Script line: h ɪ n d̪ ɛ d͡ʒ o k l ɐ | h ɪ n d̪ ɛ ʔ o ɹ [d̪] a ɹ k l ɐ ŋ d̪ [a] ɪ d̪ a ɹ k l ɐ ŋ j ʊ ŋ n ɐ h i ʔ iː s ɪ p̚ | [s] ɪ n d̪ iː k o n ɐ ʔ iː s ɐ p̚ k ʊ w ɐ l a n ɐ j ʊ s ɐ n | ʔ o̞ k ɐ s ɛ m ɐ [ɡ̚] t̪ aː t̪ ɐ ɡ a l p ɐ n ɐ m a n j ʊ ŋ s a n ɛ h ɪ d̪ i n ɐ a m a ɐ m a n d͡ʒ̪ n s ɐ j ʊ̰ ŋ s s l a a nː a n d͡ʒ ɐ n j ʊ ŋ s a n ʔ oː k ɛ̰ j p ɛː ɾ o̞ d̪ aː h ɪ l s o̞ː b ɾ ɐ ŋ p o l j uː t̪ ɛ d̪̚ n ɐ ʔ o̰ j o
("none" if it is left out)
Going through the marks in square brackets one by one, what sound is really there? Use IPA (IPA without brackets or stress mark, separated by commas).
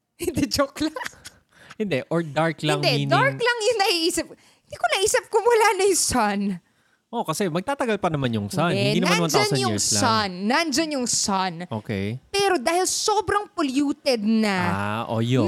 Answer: d̪, ɛ, h, ɡ̚